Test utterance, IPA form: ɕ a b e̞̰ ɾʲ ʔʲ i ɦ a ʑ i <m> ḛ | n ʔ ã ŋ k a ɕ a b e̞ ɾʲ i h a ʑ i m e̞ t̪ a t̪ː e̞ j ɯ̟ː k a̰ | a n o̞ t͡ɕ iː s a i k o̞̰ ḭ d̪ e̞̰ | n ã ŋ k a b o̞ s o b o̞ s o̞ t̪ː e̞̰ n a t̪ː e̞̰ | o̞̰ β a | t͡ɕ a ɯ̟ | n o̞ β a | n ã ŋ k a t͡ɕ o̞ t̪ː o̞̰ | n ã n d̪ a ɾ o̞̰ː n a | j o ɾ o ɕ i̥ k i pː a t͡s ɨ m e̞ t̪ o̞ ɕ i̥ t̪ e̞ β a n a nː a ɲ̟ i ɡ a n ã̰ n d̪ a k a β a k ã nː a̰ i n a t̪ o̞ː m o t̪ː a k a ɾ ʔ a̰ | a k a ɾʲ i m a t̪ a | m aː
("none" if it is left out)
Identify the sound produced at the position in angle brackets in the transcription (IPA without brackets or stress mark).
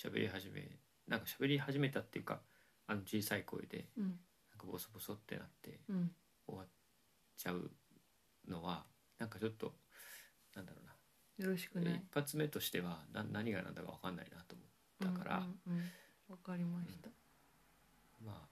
m